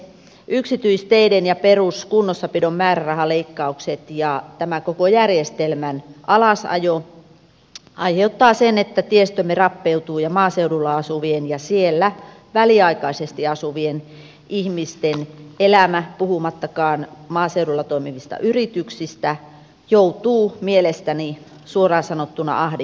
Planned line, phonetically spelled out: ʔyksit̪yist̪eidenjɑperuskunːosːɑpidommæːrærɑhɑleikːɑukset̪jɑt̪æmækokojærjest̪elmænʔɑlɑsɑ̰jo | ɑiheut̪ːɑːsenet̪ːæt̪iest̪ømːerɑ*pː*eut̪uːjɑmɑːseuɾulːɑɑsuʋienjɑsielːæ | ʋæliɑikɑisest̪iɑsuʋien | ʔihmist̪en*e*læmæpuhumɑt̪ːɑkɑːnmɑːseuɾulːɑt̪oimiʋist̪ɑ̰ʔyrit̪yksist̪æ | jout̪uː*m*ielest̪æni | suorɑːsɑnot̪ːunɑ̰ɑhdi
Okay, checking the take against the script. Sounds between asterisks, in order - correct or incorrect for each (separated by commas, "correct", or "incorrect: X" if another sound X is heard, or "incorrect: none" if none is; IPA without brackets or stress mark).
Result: correct, correct, correct